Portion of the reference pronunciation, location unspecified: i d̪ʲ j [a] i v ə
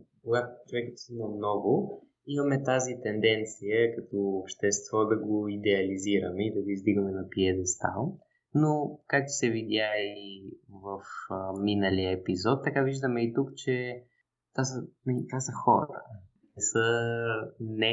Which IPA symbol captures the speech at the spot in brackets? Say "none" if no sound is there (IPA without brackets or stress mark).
a